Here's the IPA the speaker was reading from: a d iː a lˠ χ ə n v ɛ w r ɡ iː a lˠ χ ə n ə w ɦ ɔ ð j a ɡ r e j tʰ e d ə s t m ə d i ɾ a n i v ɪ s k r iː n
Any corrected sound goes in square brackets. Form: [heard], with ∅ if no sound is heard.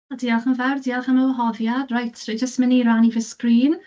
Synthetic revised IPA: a d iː a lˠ χ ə n v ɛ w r [d] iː a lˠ χ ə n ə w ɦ ɔ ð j a [d] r [a] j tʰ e [d͡ʒ] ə s t m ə [n] i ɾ a n i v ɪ s k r iː n